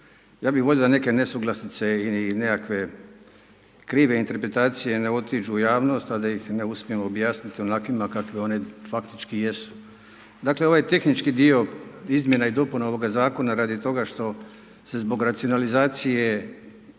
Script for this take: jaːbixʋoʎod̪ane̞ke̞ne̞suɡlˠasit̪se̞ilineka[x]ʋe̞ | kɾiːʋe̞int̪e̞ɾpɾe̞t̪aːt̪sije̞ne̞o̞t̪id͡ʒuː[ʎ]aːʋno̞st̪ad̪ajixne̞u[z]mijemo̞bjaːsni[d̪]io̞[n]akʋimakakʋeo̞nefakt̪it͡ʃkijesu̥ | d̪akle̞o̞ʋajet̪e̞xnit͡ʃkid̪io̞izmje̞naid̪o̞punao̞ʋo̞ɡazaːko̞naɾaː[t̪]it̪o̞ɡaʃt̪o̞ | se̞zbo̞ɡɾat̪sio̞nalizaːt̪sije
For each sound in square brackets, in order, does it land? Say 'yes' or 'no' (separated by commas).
no, no, no, no, yes, no